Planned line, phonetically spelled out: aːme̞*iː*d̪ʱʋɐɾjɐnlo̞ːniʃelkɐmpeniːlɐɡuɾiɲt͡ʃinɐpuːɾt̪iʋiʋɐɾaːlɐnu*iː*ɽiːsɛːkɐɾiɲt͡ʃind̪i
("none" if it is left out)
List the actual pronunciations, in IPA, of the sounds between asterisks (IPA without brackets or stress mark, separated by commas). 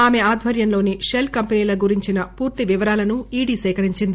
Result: aː, iː